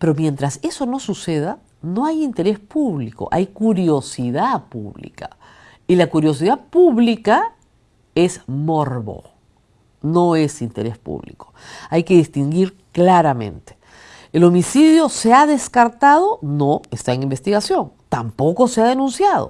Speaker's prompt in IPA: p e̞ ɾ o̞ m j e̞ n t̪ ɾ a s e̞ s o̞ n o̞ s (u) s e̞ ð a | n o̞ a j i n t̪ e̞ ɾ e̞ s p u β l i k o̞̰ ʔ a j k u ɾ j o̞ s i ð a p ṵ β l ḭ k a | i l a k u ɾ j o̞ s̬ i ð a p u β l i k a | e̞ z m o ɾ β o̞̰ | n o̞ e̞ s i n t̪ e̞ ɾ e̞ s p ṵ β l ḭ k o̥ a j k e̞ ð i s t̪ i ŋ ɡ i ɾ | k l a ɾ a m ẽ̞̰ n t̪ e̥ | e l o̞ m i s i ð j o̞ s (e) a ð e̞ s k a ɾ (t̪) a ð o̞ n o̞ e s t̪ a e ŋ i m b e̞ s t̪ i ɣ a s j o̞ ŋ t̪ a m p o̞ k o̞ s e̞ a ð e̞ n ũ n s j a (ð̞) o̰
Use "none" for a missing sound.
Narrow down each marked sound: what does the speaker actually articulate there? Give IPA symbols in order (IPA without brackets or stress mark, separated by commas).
u, e, t̪, ð̞